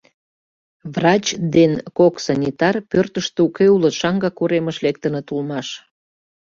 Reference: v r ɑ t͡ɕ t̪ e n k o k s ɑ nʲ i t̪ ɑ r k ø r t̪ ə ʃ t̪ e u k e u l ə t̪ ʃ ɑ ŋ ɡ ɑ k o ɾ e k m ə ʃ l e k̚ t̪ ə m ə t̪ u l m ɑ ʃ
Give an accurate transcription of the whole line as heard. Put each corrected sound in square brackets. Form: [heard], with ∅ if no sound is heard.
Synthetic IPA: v r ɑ t͡ɕ [d̪] e n k o k s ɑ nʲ i t̪ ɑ r [p] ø r t̪ ə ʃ t̪ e u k e u l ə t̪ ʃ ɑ ŋ ɡ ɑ k [u] ɾ e [∅] m ə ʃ l e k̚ t̪ ə [n] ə t̪ u l m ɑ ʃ